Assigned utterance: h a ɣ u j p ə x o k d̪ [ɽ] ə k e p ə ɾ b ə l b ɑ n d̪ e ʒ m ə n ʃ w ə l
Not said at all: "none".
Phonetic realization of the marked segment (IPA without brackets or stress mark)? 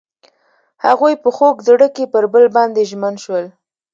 ɽ